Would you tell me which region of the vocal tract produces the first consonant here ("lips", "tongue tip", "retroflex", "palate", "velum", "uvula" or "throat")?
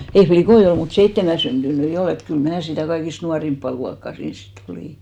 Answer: lips